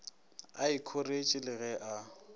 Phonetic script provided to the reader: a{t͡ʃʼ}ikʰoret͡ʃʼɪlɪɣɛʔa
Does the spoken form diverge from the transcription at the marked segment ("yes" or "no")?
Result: yes